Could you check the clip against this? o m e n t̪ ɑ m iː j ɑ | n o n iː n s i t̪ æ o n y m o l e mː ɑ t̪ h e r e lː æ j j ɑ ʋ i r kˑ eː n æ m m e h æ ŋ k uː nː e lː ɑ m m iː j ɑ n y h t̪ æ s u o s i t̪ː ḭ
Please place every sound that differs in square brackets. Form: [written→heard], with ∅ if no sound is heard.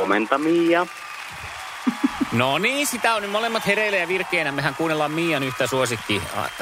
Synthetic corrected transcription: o m e n t̪ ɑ m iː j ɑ | n o n iː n s i t̪ æ o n y m o l e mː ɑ t̪ h e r e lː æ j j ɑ ʋ i r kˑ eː n æ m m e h æ ŋ k uː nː e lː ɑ m m iː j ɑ n y h t̪ æ s u o s i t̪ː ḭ